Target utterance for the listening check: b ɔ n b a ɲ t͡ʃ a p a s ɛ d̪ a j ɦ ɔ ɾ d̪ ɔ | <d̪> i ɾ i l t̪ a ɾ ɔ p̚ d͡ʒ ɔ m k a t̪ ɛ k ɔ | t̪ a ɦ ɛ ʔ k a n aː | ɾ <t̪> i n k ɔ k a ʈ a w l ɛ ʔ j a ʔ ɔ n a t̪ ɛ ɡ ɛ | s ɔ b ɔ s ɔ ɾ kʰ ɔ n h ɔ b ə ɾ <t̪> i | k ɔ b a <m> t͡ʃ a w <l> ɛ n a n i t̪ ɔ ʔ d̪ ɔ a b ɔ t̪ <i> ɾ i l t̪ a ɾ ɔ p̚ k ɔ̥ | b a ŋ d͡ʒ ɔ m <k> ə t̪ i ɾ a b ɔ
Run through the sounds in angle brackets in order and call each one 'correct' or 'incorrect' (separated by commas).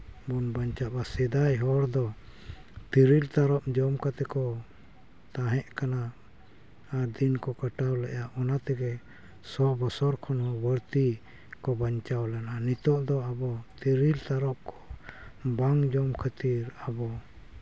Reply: incorrect, incorrect, correct, incorrect, correct, correct, incorrect